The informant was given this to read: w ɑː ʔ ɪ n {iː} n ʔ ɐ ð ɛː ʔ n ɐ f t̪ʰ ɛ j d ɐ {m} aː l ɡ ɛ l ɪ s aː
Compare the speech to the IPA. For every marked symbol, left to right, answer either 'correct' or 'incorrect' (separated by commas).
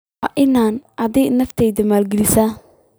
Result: incorrect, correct